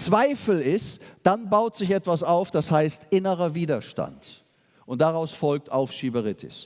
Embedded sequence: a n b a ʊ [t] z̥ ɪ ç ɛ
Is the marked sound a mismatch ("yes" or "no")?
no